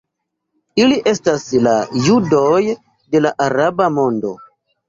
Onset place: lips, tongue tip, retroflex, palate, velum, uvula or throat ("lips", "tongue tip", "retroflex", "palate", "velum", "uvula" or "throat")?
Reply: tongue tip